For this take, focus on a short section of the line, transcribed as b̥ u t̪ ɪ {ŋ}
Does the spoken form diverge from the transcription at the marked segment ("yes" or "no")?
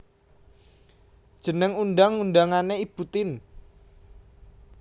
yes